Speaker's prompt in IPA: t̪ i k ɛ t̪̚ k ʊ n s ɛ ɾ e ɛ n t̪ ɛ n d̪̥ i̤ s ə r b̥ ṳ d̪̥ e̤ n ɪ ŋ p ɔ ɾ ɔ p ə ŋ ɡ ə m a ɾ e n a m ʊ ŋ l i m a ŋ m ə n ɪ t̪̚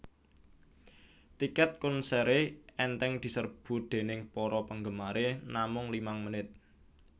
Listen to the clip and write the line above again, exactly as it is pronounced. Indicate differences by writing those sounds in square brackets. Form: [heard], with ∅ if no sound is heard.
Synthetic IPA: t̪ i k ɛ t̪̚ k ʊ n s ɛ ɾ e ɛ n t̪ ɛ [ŋ] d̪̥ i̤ s ə r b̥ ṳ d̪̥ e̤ n ɪ ŋ p ɔ ɾ ɔ p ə ŋ ɡ ə m a ɾ e n a m ʊ ŋ l i m a ŋ m ə n ɪ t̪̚